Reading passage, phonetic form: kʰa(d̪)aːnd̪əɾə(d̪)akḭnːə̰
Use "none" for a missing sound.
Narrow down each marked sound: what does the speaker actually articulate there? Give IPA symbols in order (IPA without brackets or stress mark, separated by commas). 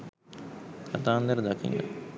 t̪, d̪